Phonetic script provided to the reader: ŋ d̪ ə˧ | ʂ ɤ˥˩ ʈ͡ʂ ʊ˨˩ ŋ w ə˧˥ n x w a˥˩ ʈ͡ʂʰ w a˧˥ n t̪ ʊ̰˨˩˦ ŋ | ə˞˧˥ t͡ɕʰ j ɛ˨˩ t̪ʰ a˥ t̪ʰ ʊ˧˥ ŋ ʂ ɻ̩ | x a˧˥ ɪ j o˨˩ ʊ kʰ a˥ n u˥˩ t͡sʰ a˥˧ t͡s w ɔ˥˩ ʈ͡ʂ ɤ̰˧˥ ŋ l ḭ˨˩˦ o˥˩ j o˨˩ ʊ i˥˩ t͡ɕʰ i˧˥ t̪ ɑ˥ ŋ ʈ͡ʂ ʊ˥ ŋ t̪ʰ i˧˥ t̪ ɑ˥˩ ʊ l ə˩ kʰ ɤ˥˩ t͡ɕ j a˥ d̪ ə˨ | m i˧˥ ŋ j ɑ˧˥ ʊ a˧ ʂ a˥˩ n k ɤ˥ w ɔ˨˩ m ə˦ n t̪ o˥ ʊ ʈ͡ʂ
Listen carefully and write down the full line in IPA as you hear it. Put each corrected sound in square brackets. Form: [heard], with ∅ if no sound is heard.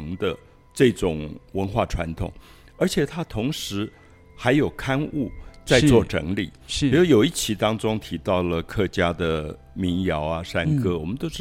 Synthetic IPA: ŋ d̪ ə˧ | [ʈ͡ʂ] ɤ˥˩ ʈ͡ʂ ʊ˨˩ ŋ w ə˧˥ n x w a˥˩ ʈ͡ʂʰ w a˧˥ n [t̪ʰ] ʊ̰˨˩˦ ŋ | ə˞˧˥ t͡ɕʰ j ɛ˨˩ t̪ʰ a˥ t̪ʰ ʊ˧˥ ŋ ʂ ɻ̩ | x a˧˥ ɪ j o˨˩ ʊ kʰ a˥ n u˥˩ [t͡s] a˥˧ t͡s w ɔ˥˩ ʈ͡ʂ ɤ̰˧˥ ŋ l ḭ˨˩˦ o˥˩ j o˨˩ ʊ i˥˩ t͡ɕʰ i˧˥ t̪ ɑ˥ ŋ ʈ͡ʂ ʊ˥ ŋ t̪ʰ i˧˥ t̪ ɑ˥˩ ʊ l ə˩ kʰ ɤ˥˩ t͡ɕ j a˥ d̪ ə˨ | m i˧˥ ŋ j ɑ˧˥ ʊ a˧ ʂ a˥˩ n k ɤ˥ w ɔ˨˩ m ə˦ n t̪ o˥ ʊ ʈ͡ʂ